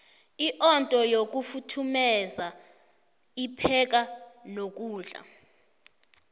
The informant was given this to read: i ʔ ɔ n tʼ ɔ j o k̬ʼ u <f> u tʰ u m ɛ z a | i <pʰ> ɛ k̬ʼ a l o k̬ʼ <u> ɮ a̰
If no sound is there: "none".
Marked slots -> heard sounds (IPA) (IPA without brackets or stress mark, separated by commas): f, pʰ, uː